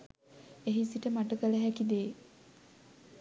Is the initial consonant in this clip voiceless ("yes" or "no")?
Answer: no